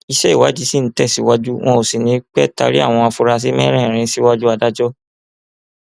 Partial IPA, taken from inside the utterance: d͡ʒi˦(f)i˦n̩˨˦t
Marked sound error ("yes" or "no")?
yes